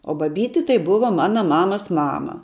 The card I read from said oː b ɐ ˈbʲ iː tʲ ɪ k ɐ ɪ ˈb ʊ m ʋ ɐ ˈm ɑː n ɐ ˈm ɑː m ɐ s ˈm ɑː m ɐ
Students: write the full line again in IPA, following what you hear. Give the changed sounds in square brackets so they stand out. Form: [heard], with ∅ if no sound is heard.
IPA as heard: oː b ɐ ˈbʲ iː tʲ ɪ [t] ɐ ɪ ˈb ʊ [∅] ʋ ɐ ˈm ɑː n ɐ ˈm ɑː m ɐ s ˈm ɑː m ɐ